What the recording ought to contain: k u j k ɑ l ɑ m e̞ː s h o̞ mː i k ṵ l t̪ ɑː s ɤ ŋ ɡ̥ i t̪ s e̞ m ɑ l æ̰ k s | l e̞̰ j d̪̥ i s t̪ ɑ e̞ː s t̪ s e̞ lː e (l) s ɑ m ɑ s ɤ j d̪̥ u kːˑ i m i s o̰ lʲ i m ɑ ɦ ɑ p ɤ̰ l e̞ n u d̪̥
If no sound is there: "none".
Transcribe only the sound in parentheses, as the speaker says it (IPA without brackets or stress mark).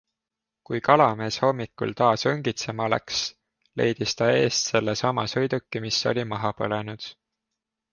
none